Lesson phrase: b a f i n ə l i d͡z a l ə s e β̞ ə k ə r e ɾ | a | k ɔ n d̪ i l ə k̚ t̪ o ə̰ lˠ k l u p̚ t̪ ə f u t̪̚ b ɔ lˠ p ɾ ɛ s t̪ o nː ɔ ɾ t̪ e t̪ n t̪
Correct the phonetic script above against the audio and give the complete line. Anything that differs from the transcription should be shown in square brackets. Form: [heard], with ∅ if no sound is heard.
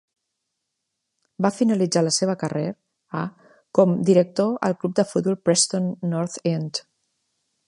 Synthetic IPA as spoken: b a f i n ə l i d͡z a l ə s e β̞ ə k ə r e ɾ | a | k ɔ [m] d̪ i [ɾ] ə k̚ t̪ o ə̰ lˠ k l u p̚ [d̪] ə f u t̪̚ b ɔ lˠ p ɾ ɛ s t̪ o nː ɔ ɾ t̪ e [∅] n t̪